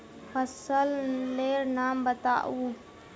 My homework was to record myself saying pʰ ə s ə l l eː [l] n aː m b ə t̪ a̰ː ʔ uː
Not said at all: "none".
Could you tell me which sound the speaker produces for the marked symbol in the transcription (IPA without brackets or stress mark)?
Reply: ɾ